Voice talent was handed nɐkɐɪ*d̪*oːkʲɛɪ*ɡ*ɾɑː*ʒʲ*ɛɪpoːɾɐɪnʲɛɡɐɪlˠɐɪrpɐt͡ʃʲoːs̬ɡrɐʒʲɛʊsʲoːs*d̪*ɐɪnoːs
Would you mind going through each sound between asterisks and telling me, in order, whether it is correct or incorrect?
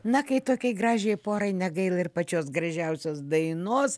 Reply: incorrect: t̪, correct, correct, correct

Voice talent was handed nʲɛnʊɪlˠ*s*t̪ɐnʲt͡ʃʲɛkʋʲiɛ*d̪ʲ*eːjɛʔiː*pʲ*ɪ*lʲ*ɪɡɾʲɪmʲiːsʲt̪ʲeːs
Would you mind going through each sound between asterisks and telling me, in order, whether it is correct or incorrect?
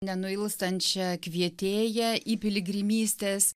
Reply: correct, incorrect: t̪ʲ, correct, correct

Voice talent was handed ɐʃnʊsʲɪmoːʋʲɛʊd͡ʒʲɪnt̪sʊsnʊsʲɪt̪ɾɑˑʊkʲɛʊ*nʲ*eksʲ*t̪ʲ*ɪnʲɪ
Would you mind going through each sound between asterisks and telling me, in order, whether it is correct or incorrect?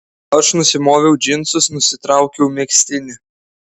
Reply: incorrect: mʲ, correct

